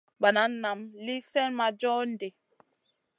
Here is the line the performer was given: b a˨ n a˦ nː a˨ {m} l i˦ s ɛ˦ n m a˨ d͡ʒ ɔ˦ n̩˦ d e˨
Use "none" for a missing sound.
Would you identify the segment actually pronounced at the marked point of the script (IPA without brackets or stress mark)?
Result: m